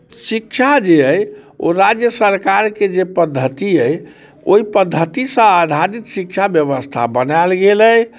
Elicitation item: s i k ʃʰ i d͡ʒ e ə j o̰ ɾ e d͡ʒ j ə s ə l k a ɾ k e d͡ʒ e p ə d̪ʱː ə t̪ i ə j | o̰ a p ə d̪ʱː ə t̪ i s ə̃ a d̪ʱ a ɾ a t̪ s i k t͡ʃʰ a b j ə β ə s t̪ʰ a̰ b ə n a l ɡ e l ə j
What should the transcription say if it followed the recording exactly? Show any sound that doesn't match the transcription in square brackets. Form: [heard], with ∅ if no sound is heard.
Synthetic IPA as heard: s i k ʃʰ [a] d͡ʒ e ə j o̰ ɾ [a] d͡ʒ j ə s ə [ɾ] k a ɾ k e d͡ʒ e p ə d̪ʱː ə t̪ i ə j | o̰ [i] p ə d̪ʱː ə t̪ i s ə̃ a d̪ʱ a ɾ [i] t̪ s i k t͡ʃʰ a b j ə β ə s t̪ʰ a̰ b ə n a l ɡ e l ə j